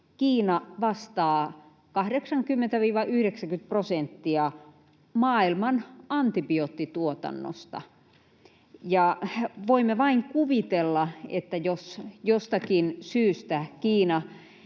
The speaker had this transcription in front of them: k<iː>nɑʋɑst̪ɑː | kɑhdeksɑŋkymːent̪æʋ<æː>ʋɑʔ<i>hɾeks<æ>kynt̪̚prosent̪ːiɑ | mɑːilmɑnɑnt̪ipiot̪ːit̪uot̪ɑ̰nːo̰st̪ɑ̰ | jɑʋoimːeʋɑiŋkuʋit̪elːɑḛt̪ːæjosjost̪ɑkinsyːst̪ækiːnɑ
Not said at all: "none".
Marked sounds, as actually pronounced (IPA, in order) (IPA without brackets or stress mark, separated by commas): iː, iː, y, æ